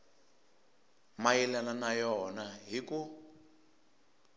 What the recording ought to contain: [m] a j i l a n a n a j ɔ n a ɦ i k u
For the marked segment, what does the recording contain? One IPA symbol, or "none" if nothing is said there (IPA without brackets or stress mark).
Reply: m